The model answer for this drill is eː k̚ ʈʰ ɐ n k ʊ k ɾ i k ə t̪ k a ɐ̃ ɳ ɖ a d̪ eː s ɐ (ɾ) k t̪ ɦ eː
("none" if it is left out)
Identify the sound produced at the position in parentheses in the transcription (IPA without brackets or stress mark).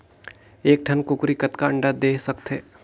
none